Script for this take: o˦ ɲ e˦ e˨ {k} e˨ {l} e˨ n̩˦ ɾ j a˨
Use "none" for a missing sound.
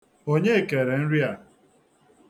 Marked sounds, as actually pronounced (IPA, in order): k, ɾ

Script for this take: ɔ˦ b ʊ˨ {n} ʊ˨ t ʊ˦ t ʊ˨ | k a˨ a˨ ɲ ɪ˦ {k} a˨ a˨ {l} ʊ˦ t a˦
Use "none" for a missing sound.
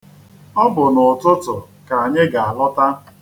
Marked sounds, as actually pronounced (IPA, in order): n, ɡ, l

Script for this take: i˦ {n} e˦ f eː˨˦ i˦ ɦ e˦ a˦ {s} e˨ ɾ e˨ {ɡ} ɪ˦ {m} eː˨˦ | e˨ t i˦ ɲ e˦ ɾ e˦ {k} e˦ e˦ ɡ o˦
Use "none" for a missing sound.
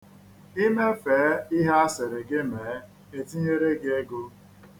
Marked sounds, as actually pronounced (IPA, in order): m, s, ɡ, m, ɡ

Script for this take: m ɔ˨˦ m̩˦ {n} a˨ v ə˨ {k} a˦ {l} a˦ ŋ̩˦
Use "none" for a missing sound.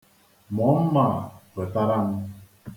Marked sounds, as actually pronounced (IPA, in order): m, t, ɾ

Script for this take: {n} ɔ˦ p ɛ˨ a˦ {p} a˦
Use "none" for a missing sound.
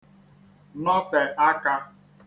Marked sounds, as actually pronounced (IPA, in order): n, k

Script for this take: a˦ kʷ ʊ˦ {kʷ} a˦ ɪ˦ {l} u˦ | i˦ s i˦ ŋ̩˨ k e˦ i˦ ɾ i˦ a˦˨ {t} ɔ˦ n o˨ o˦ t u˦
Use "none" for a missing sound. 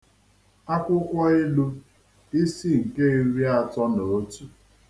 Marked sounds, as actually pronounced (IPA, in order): kʷ, l, t

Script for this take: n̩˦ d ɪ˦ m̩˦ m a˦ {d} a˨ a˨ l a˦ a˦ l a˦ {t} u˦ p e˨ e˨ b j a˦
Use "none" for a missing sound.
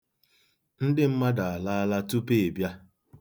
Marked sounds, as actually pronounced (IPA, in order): d, t

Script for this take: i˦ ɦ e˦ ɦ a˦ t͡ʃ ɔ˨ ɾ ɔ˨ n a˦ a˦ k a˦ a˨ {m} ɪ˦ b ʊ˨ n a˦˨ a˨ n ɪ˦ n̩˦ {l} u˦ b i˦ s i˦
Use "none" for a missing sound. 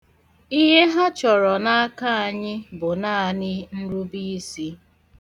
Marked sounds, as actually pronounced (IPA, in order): ɲ, ɾ

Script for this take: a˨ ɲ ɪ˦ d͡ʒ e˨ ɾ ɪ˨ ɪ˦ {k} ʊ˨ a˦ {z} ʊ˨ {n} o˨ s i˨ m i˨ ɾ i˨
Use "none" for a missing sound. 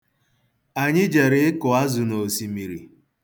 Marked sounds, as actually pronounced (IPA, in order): k, z, n

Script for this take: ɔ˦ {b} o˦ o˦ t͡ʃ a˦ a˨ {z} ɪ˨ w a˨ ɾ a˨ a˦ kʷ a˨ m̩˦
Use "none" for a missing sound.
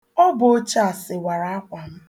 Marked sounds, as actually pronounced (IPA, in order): b, s

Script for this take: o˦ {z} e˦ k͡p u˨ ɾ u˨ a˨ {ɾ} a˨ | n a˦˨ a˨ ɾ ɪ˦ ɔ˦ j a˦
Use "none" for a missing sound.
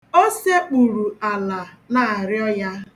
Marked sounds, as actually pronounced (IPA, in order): s, l

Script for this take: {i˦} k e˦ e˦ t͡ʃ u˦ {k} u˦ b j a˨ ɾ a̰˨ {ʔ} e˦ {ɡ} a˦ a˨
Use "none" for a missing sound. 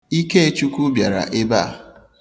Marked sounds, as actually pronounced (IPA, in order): i˦, k, ʔ, b

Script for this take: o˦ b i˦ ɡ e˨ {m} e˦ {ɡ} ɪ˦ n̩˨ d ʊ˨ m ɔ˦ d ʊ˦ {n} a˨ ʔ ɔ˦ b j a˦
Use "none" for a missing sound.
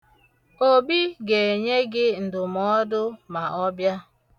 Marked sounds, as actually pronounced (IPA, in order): ɲ, ɡ, m

